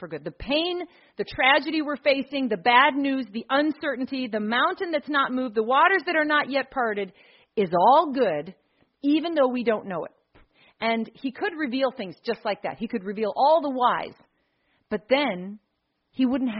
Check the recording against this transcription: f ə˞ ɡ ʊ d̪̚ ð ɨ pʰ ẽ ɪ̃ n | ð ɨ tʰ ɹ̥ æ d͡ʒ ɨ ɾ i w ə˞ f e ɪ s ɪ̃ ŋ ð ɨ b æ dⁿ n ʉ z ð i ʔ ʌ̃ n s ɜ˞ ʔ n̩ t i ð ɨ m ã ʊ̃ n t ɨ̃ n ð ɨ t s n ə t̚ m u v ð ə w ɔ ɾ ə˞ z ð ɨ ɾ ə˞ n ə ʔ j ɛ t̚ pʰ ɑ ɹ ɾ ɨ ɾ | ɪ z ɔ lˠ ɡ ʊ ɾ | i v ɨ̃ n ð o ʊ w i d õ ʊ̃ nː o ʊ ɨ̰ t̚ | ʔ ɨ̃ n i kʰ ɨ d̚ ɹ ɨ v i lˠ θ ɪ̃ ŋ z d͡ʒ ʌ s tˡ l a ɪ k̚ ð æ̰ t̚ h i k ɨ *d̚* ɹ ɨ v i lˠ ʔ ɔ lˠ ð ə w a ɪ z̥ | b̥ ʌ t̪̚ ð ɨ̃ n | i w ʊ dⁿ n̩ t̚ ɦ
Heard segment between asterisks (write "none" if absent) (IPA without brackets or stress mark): d̚